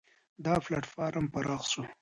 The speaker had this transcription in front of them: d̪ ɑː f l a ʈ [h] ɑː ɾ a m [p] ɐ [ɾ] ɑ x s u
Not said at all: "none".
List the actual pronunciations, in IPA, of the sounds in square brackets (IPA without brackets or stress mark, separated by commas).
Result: f, p, ɾ